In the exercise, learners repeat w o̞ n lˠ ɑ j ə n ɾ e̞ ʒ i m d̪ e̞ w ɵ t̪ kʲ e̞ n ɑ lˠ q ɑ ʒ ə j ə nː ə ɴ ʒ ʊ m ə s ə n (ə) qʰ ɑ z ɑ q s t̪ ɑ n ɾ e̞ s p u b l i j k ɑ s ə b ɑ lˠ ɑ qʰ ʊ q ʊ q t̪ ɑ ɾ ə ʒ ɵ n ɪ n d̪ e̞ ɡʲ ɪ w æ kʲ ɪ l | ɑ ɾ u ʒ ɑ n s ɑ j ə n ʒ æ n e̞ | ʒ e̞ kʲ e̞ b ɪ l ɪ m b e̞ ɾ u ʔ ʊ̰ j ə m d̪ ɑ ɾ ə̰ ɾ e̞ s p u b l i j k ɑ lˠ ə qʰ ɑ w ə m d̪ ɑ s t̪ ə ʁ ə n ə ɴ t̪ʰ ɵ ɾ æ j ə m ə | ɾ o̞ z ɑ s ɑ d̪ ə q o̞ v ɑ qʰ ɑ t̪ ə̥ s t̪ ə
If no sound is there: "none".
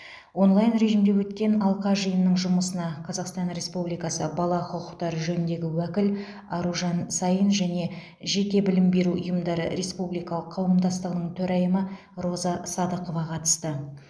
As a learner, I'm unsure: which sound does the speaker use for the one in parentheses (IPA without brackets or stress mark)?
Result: ɑ